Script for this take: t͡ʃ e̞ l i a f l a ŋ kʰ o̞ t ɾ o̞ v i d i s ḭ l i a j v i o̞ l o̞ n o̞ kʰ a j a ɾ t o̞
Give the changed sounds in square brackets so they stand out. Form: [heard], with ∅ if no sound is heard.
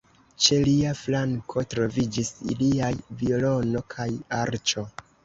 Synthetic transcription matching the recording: t͡ʃ e̞ l i a f l a ŋ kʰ o̞ t ɾ o̞ v i [d͡ʒ] i s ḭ l i a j v i o̞ l o̞ n o̞ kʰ a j a ɾ [t͡ʃ] o̞